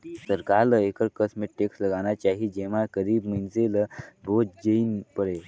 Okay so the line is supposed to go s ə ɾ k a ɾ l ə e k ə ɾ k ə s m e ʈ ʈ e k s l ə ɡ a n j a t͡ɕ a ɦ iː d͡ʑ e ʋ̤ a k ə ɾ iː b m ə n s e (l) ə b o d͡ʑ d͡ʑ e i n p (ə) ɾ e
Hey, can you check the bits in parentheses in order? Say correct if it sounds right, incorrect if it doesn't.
correct, correct

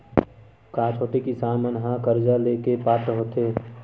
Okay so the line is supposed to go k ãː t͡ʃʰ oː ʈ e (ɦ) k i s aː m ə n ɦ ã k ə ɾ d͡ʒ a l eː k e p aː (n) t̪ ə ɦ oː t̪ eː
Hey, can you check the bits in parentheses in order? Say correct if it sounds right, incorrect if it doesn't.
incorrect, incorrect

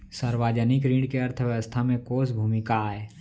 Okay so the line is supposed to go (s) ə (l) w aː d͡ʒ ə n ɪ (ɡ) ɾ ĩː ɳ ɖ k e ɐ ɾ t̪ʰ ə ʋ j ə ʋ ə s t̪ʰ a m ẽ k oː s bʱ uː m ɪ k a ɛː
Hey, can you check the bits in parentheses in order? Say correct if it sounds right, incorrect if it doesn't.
correct, incorrect, incorrect

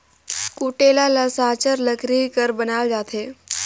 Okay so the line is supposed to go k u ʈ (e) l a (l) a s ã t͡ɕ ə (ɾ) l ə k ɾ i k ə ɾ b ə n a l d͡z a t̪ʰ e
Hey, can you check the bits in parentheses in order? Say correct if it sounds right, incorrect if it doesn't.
correct, correct, correct

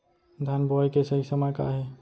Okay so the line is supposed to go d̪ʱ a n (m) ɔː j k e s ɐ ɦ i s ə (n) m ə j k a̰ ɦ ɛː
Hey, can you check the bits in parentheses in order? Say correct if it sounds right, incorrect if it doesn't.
incorrect, incorrect

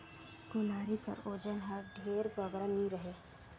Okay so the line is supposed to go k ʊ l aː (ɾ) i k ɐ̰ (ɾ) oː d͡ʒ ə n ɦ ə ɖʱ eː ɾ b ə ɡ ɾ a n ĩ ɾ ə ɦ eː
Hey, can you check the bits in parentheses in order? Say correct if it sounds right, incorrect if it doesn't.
correct, correct

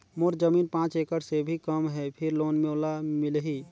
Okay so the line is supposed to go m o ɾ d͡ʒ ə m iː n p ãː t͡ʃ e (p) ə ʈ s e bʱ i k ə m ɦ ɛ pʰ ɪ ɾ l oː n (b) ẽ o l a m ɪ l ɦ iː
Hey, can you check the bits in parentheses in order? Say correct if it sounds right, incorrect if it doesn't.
incorrect, incorrect

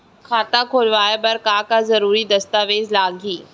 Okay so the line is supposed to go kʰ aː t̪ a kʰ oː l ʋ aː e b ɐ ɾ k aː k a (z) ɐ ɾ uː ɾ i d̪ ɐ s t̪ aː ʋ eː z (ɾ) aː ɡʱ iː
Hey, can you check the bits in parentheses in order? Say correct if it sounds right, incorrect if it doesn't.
correct, incorrect

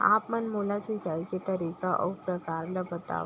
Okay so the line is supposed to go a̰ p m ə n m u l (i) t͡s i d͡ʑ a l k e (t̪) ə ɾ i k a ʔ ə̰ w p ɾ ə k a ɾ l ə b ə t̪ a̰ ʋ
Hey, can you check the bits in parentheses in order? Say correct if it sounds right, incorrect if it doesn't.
incorrect, correct

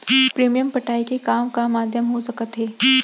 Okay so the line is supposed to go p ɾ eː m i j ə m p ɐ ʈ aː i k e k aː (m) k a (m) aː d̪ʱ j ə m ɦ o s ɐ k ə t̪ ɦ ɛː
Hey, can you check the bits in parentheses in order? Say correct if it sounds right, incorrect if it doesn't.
correct, correct

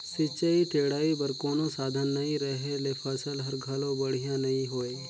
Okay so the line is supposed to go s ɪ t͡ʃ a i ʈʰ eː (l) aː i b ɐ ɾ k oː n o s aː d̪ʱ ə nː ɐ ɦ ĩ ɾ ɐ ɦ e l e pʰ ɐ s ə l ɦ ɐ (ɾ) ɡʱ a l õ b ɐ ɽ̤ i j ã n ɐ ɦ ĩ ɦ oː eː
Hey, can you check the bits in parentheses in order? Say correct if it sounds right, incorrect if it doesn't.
incorrect, correct

